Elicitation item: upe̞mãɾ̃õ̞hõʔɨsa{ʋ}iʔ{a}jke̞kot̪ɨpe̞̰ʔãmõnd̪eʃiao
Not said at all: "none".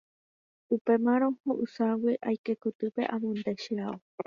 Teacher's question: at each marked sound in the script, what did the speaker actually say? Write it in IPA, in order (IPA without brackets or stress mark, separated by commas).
w, a